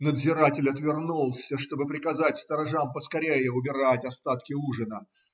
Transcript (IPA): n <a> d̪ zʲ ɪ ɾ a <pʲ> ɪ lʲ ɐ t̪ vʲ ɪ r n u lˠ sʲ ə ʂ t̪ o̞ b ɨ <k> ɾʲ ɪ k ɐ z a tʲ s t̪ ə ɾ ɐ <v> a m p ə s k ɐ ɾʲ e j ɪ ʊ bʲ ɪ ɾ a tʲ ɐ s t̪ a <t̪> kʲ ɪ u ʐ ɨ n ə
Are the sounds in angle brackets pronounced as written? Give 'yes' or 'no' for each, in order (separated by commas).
no, no, no, no, yes